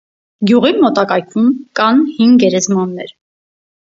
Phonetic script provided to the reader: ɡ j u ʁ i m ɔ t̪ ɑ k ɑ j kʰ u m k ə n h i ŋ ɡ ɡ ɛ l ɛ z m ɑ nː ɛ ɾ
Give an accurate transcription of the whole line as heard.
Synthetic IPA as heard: ɡ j u ʁ i m ɔ t̪ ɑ k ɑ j kʰ u m k ɑ n h i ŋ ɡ ɡ ɛ ɾ ɛ z m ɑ nː ɛ ɾ